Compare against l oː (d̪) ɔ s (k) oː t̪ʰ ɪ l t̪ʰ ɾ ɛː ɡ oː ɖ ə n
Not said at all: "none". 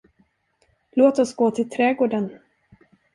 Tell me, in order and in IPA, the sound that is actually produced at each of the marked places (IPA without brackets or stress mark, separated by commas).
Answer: t̪, ɡ